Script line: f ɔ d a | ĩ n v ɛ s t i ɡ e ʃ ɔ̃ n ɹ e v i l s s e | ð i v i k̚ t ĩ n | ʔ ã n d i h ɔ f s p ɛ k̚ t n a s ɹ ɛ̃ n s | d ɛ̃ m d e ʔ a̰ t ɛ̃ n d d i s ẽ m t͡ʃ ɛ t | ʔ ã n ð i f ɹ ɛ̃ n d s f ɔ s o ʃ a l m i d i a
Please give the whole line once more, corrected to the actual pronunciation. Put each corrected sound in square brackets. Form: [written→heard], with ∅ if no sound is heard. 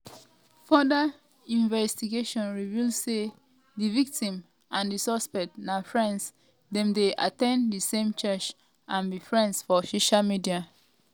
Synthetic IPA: f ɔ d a | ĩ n v ɛ s t i ɡ e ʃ ɔ̃ n ɹ [e→i] v i l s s e | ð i v i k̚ t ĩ [n→m] | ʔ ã n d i [h→s] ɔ [f→∅] s p ɛ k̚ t n a [s→f] ɹ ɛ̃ n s | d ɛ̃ m d e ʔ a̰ t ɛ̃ n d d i s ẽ m t͡ʃ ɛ [t→t͡ʃ] | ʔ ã n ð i f ɹ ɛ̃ n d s f ɔ s o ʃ a l m i d i a

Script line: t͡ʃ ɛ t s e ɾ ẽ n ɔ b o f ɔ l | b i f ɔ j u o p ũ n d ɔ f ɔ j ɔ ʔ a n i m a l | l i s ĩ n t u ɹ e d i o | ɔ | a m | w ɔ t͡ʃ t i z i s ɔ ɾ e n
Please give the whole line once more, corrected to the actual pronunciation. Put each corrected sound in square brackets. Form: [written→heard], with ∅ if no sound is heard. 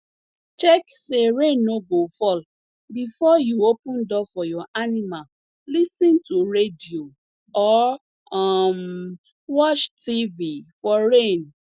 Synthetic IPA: t͡ʃ ɛ [t→k] s e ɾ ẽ n [ɔ→o] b o f ɔ l | b i f ɔ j u o p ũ n d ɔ f ɔ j ɔ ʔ a n i m a l | l i s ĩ n t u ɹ e d i o | ɔ | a m | w ɔ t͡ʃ t i [z→v] i [s→f] ɔ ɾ e n

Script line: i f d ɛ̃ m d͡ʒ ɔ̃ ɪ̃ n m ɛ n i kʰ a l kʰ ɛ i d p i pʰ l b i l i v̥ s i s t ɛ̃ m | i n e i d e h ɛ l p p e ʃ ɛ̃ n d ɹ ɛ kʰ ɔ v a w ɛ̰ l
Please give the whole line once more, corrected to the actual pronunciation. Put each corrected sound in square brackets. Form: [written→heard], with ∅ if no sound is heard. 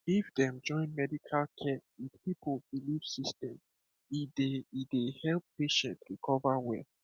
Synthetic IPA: i f d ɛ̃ m d͡ʒ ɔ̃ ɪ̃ n m ɛ [n→d] i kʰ a l kʰ ɛ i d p i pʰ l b i l i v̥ s i s t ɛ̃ m | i [n→d] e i d e h ɛ l p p e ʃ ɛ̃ n [d→t] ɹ [ɛ→i] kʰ ɔ v a w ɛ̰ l

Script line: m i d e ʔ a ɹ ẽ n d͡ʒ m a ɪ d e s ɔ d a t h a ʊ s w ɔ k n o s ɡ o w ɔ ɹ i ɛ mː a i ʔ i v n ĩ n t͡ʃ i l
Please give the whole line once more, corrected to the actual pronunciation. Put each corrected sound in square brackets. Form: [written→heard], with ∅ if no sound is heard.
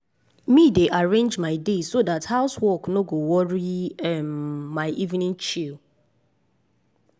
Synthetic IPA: m i d e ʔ a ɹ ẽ n d͡ʒ m a ɪ d e s [ɔ→o] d a t h a ʊ s w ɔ k n o [s→∅] ɡ o w ɔ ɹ i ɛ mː a [i→ɪ] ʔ i v n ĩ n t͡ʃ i l

